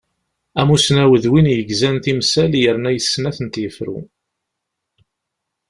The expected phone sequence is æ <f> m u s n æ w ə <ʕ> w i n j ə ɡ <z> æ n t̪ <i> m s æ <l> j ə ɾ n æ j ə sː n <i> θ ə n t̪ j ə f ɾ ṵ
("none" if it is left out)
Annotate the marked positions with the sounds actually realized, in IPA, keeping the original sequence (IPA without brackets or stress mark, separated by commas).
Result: none, ð, z, i, l, æ